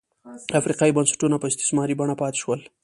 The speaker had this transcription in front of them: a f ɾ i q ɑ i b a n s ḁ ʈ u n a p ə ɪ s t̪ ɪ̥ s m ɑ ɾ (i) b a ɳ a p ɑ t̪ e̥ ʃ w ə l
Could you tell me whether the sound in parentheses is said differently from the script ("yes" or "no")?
no